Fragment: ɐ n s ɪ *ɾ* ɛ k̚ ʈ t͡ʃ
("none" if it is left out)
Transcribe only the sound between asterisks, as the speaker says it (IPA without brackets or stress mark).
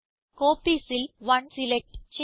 l